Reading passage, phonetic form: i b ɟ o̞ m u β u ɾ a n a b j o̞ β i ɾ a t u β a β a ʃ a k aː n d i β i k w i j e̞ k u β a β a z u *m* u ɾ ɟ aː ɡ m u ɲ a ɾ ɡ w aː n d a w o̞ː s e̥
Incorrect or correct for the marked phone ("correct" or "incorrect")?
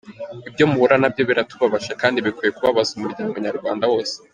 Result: correct